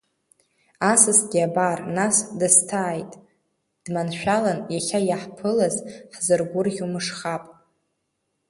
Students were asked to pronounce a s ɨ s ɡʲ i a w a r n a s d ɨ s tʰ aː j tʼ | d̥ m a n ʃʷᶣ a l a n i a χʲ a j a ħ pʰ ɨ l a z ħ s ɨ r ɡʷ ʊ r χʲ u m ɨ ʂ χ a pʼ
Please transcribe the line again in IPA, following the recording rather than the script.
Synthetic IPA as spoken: a s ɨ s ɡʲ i a b a r n a s d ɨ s tʰ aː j tʼ | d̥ m a n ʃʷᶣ a l a n j a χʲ a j a ħ pʰ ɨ l a z ħ z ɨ r ɡʷ ʊ r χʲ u m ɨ ʂ χ a pʼ

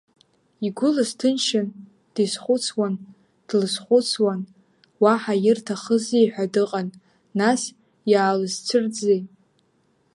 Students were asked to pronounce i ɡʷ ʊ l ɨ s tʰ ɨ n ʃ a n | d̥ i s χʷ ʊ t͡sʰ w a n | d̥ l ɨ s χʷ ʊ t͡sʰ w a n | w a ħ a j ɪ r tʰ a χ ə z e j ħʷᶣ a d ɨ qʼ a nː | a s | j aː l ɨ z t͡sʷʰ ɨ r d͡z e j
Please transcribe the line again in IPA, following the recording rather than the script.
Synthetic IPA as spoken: i ɡʷ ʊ l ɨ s tʰ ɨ n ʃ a n | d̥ i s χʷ ʊ t͡sʰ w a n | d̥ l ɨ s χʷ ʊ t͡sʰ w a n | w a ħ a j ɪ r tʰ a χ ə z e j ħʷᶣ a d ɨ qʼ a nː | a s | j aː l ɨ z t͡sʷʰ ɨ r d͡z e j

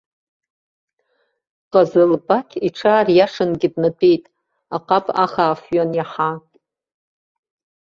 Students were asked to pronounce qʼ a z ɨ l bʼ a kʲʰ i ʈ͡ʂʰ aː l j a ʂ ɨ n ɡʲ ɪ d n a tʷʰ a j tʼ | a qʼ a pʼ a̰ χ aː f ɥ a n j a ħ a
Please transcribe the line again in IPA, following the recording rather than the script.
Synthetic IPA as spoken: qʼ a z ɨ l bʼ a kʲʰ i ʈ͡ʂʰ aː r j a ʂ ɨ n ɡʲ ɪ d n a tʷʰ e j tʼ | a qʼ a pʼ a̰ χ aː f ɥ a n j a ħ a

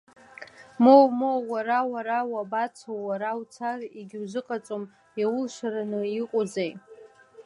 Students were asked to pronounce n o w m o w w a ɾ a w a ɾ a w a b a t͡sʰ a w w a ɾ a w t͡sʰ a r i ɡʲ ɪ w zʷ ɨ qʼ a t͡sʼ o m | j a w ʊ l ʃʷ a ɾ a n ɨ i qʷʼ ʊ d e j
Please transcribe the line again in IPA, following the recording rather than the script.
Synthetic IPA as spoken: m o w m o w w a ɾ a w a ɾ a w a b a t͡sʰ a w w a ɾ a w t͡sʰ a r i ɡʲ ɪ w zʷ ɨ qʼ a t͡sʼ o m | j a w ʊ l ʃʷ a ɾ a n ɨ i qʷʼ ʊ d͡z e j

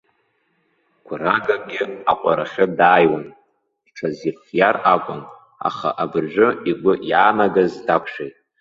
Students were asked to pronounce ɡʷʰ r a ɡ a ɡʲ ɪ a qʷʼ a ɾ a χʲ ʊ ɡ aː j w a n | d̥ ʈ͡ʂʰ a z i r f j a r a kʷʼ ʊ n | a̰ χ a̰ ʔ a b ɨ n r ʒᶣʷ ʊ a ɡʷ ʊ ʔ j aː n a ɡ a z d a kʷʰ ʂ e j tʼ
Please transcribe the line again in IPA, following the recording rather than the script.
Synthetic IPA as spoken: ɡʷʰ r a ɡ a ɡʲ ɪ a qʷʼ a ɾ a χʲ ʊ d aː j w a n | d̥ ʈ͡ʂʰ a z i r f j a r a kʷʼ ʊ n | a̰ χ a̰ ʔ a b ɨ r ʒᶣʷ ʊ i ɡʷ ʊ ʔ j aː n a ɡ a z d a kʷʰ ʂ e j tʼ

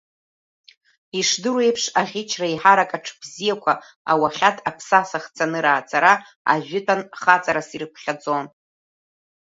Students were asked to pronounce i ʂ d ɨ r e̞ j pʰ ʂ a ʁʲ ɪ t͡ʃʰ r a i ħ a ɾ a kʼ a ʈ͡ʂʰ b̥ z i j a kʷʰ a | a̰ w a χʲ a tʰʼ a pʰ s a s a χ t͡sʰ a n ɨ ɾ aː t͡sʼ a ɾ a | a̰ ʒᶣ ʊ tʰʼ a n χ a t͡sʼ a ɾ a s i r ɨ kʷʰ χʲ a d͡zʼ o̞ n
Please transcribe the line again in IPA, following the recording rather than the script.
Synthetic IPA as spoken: i ʂ d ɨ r e̞ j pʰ ʂ a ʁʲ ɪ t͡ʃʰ r a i ħ a ɾ a kʼ a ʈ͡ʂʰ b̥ z i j a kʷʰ a | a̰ w a χʲ a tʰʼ a pʰ s a s a χ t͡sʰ a n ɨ ɾ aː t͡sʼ a ɾ a | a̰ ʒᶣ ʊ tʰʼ a n χ a t͡sʼ a ɾ a s i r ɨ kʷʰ χʲ a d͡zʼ o̞ n

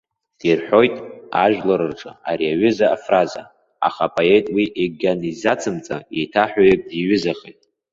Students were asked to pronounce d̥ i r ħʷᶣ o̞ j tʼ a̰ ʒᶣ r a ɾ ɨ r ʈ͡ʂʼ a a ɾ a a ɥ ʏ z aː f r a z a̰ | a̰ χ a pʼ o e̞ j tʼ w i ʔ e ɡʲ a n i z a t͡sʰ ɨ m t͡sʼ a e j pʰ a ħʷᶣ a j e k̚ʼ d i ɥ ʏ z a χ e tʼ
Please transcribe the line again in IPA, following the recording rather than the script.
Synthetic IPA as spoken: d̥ i r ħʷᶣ o̞ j tʼ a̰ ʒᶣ l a ɾ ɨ r ʈ͡ʂʼ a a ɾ i a ɥ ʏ z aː f r a z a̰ | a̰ χ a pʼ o e̞ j tʼ w i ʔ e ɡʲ a n i z a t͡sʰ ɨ m t͡sʼ a e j tʰ a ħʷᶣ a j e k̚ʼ d i ɥ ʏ z a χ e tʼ

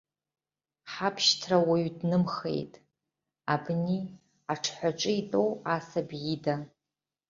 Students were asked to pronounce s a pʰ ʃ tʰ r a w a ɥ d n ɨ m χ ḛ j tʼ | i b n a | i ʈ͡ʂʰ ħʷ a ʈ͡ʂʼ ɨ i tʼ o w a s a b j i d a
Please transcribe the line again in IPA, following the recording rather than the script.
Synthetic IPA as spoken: ħ a pʰ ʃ tʰ r a w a ɥ d n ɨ m χ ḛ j tʼ | a b n i | a ʈ͡ʂʰ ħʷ a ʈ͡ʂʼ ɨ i tʼ o w a s a b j i d a

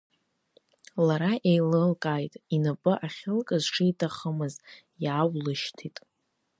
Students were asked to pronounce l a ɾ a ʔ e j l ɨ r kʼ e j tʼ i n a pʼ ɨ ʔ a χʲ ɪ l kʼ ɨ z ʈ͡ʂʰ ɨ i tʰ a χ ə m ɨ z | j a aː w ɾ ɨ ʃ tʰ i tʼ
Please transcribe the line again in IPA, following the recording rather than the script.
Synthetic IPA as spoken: l a ɾ a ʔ e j l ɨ l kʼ a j tʼ i n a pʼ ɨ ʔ a χʲ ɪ l kʼ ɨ z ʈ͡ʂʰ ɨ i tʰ a χ ə m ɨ z | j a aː w l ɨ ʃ tʰ i tʼ

